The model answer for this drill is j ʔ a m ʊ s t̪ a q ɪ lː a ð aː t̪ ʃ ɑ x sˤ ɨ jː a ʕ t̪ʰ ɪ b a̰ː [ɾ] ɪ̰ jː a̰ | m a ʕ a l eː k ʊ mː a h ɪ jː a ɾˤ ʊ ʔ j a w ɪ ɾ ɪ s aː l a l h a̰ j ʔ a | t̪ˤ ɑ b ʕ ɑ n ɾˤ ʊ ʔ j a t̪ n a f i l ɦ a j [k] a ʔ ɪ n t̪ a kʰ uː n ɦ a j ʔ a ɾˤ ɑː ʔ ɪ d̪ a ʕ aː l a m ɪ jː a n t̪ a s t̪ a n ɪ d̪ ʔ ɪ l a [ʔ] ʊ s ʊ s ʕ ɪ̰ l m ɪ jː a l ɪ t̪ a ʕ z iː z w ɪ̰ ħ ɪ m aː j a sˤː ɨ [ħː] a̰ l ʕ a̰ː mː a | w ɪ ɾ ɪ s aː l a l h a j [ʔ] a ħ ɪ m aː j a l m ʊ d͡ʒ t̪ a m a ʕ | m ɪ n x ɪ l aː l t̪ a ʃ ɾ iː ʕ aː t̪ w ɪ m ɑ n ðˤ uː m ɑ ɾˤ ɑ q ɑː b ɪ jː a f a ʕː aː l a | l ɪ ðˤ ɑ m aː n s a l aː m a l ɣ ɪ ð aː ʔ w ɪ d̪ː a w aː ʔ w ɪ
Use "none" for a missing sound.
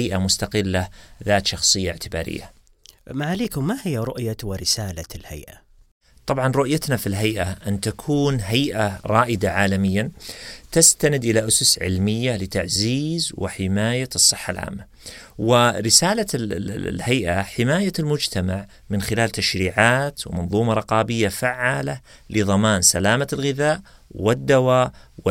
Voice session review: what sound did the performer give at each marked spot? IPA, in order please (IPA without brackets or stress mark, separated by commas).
ɾ, ʔ, ʔ, ħː, ʔ